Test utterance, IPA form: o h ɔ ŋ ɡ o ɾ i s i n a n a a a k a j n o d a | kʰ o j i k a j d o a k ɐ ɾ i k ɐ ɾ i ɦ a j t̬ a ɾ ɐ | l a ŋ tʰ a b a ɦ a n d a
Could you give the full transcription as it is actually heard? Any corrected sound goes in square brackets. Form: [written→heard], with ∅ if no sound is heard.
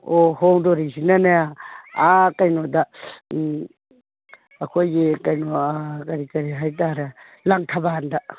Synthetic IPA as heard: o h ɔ ŋ [ɡ→d] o ɾ i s i n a n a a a k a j n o d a | kʰ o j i k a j [d→n] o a k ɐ ɾ i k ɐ ɾ i ɦ a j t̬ a ɾ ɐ | l a ŋ tʰ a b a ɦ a n d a

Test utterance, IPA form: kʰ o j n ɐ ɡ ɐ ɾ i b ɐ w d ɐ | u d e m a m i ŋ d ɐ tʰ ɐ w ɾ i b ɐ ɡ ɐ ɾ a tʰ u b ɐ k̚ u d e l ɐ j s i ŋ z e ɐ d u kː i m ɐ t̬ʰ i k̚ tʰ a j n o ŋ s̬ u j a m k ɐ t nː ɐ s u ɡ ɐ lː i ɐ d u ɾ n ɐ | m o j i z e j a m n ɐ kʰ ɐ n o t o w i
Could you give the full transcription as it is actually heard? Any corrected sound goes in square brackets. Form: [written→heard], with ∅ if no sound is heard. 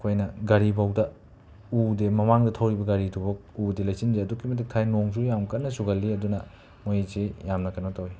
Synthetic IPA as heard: kʰ o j n ɐ ɡ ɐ ɾ i b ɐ w d ɐ | u d e m [a→ɐ] m [i→a] ŋ d ɐ tʰ ɐ w ɾ i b ɐ ɡ ɐ ɾ [a→i] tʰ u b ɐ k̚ u d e l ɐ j s i [ŋ→n] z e ɐ d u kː i m ɐ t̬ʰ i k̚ tʰ a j n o ŋ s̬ u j a m k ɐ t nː ɐ s u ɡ ɐ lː i ɐ d u [ɾ→∅] n ɐ | m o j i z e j a m n ɐ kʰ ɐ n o t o w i

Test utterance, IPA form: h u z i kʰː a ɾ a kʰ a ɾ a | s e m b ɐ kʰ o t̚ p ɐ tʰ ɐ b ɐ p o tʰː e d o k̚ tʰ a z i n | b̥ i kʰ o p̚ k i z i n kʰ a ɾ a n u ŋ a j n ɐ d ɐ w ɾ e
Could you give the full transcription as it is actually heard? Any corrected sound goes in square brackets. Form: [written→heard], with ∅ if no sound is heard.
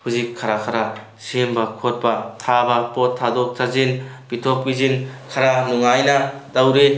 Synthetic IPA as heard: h u z i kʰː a ɾ a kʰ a ɾ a | s e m b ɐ kʰ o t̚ p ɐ tʰ [ɐ→a] b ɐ p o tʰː [e→a] d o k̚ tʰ a z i n | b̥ i [kʰ→tʰ] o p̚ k i z i n kʰ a ɾ a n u ŋ a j n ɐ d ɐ w ɾ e

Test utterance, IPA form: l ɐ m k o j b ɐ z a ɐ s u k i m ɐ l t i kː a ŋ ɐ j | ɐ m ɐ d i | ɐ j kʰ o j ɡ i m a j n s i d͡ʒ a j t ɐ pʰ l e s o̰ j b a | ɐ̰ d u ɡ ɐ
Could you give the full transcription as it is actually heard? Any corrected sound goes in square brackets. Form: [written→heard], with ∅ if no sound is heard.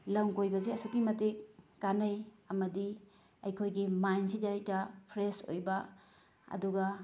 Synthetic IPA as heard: l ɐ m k o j b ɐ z [a→e] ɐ s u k i m ɐ [l→∅] t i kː a [ŋ→n] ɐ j | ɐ m ɐ d i | ɐ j kʰ o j ɡ i m a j n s i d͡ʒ a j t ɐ pʰ [l→ɾ] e s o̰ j b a | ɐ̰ d u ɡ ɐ

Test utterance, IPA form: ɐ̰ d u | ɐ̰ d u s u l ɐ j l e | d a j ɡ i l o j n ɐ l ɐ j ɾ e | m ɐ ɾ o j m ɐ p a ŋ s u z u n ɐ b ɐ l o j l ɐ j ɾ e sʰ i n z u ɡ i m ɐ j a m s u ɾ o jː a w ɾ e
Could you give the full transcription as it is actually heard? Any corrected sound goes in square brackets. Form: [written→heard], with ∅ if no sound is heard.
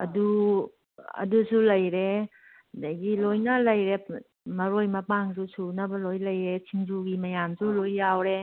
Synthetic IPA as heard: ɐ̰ d u | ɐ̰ d u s u l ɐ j [l→ɾ] e | d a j ɡ i l o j n ɐ l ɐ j ɾ e | m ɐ ɾ o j m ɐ p a ŋ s u [z→s] u n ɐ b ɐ l o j l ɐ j ɾ e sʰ i [n→ŋ] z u ɡ i m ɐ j a m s u [ɾ→l] o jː a w ɾ e

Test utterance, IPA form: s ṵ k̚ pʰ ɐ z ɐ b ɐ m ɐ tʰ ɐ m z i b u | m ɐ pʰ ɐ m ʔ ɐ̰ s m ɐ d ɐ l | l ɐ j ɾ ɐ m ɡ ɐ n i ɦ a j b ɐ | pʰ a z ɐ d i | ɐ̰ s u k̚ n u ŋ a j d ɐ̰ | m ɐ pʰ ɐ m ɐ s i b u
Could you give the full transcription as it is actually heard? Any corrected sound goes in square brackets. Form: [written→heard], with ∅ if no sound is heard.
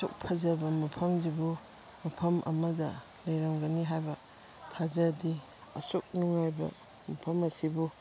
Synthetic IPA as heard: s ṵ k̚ pʰ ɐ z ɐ b ɐ m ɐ [tʰ→pʰ] ɐ m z i b u | m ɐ pʰ ɐ m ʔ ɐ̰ [s→∅] m ɐ d ɐ [l→∅] | l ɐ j ɾ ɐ m ɡ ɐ n i ɦ a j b ɐ | [pʰ→tʰ] a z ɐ d i | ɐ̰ s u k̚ n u ŋ a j [d→b] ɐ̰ | m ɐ pʰ ɐ m ɐ s i b u

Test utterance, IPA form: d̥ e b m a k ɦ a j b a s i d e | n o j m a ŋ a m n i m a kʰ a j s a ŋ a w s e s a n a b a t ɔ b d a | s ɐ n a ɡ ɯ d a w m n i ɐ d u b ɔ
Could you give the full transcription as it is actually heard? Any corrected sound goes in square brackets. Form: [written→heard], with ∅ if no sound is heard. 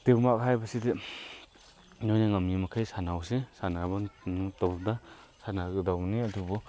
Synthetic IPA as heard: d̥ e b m a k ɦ a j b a s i d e | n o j [m→n] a ŋ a m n i m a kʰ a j s a [ŋ→n] a w s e s a n a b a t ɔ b d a | s [ɐ→a] n a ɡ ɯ d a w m n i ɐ d u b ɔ

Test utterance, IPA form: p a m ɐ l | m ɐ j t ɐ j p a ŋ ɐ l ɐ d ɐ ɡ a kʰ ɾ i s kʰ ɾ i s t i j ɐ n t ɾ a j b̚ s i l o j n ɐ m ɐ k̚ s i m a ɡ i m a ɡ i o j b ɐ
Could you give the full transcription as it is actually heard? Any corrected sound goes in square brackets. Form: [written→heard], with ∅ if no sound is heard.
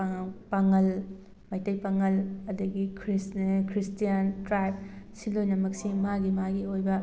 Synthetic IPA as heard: p a [m→ŋ] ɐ l | m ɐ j t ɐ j p a ŋ ɐ l ɐ d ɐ ɡ [a→i] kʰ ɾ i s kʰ ɾ i s t i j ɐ n t ɾ a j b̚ s i l o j n ɐ m ɐ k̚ s i m a ɡ i m a ɡ i o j b ɐ

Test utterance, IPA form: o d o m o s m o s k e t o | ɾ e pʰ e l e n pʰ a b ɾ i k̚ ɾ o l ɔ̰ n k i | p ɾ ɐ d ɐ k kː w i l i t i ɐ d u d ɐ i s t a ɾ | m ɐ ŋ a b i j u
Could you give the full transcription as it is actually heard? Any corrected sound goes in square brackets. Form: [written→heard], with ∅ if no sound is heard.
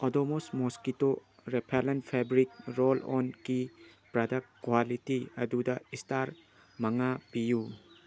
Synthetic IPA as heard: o d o m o s m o s k [e→i] t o | ɾ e pʰ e l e n pʰ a b ɾ i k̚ ɾ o l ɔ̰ n k i | p ɾ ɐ d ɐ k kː w [i→a] l i t i ɐ d u d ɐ i s t a ɾ | m ɐ ŋ a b i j u

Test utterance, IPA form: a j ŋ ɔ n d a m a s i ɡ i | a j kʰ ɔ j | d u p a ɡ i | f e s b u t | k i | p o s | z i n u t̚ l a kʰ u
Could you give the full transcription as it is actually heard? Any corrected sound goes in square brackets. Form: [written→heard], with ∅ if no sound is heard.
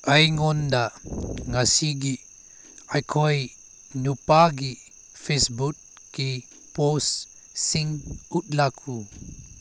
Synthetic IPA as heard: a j ŋ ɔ n d a [m→ŋ] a s i ɡ i | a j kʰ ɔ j | [d→n] u p a ɡ i | f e s b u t | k i | p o s | [z→s] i [n→ŋ] u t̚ l a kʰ u

